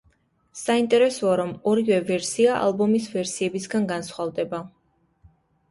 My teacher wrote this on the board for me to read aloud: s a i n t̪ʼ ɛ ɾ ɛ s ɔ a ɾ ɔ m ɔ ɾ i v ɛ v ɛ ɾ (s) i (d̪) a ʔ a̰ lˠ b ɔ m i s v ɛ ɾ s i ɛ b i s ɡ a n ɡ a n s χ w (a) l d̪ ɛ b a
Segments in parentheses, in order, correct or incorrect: correct, incorrect, correct

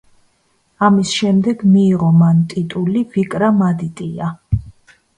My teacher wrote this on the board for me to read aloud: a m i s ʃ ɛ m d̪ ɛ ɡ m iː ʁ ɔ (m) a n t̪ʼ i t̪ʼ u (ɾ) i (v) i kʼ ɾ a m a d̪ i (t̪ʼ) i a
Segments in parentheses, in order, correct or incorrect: correct, incorrect, correct, correct

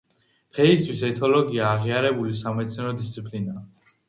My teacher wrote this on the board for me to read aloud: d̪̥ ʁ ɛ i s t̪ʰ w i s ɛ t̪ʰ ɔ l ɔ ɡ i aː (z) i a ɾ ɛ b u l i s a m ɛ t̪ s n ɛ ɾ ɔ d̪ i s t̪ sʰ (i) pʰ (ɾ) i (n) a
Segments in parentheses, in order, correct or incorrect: incorrect, correct, incorrect, correct

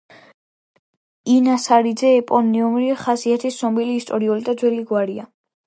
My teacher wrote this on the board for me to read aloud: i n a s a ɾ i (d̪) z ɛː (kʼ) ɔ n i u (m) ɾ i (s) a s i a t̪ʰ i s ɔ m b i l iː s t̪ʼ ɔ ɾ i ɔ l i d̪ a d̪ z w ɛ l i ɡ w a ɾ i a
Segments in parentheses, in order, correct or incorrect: correct, incorrect, correct, incorrect

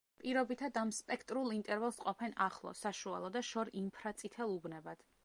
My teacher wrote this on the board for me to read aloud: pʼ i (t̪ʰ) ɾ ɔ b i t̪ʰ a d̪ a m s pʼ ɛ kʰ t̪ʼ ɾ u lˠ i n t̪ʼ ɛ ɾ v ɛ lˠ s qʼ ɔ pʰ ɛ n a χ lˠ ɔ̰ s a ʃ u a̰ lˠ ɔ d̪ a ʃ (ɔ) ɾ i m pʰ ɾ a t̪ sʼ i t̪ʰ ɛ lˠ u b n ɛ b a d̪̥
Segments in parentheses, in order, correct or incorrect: incorrect, correct

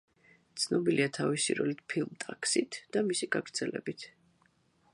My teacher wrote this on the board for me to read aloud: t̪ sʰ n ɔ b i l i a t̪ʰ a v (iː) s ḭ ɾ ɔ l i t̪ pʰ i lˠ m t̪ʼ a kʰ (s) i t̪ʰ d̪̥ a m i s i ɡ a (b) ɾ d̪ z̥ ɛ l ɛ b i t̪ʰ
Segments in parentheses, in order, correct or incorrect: incorrect, correct, incorrect

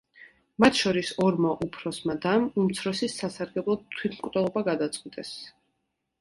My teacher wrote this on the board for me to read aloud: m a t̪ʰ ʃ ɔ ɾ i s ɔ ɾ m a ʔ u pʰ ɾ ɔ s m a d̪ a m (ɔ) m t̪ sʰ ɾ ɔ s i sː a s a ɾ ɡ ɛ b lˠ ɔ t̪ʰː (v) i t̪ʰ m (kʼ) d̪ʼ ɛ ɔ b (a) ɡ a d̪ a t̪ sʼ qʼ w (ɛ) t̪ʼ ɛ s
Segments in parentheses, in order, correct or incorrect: incorrect, incorrect, correct, correct, incorrect

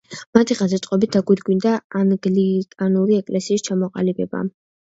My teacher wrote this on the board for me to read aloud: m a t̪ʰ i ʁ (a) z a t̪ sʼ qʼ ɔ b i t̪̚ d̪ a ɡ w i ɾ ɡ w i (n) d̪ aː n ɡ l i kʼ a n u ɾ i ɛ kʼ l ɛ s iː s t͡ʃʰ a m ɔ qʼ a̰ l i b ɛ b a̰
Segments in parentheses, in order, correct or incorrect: correct, correct

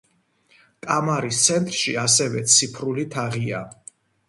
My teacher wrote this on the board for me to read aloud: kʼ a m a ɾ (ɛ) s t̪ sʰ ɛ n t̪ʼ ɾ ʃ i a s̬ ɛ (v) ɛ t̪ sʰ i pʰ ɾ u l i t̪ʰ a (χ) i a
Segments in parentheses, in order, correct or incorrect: incorrect, correct, incorrect

